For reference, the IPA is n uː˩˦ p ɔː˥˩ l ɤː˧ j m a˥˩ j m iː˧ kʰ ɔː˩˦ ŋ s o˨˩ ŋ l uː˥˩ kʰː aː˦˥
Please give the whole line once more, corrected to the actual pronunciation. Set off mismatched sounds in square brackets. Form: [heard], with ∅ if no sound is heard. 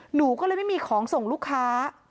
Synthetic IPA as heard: n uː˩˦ [k] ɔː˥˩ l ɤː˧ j m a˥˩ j m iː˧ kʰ ɔː˩˦ ŋ s o˨˩ ŋ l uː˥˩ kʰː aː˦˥